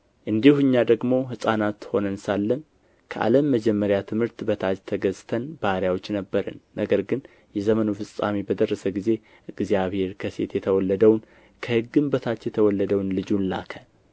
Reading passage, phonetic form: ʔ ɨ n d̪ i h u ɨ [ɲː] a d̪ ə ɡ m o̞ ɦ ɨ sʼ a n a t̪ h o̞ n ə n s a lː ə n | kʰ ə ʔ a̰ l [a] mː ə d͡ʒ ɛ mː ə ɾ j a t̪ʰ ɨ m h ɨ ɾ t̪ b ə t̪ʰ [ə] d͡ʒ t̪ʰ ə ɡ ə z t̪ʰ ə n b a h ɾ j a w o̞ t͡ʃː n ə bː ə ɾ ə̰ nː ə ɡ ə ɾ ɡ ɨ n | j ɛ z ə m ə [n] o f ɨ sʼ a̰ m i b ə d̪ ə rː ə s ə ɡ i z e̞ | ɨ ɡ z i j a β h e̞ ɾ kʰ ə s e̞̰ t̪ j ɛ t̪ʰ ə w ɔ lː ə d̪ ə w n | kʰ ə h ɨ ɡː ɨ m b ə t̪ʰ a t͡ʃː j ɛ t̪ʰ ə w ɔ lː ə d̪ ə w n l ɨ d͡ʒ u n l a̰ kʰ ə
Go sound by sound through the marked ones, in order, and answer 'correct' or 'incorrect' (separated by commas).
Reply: correct, incorrect, incorrect, correct